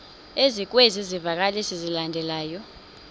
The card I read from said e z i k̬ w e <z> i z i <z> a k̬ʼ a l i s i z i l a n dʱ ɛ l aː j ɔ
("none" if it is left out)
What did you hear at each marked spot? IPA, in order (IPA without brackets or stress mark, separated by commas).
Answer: z, v